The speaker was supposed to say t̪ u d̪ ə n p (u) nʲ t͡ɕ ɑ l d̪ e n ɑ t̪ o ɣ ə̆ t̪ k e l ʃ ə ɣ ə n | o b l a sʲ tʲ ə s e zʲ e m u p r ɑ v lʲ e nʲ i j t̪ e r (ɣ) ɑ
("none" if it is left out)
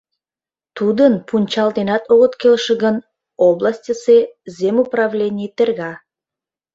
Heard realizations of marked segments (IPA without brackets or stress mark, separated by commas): u, ɣ